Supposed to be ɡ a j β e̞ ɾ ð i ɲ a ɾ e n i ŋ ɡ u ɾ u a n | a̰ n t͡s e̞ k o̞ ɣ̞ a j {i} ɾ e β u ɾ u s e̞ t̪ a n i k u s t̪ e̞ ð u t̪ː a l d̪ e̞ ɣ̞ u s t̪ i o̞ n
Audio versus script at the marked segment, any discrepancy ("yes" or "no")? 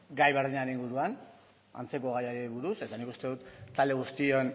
yes